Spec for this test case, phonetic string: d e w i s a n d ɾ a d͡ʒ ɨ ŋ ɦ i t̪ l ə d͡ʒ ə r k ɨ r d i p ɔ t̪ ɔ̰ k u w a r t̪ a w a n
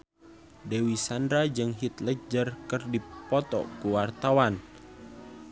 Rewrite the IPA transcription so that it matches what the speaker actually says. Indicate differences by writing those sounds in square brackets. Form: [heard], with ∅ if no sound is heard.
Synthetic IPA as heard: d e w i s a n d ɾ a d͡ʒ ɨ ŋ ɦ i t̪ l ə d͡ʒ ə r k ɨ r d i p ɔ t̪ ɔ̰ k u w a r t̪ a w a n